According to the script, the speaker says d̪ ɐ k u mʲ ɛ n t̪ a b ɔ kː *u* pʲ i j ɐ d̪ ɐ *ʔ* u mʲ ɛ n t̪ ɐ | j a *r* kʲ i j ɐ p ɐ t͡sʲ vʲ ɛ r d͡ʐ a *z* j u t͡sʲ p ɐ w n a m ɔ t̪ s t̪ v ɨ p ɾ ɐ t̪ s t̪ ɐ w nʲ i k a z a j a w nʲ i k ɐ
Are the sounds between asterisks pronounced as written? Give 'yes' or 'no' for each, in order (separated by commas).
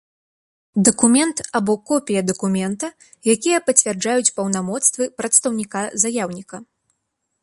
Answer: no, no, no, no